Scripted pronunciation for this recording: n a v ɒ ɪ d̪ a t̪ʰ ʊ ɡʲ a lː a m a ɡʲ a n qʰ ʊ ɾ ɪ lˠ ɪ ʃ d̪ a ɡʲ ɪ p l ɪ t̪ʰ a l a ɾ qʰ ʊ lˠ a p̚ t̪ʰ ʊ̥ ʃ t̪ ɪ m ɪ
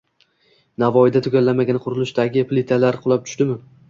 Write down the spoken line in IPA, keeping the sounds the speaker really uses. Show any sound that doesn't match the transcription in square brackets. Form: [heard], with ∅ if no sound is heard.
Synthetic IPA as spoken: n a v ɒ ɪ d̪ a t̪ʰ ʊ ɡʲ a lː a m a ɡʲ a n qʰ ʊ ɾ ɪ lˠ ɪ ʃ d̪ a ɡʲ ɪ p l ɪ t̪ʰ a l a ɾ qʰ ʊ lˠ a p̚ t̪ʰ ʊ̥ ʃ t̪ ɪ m ɪ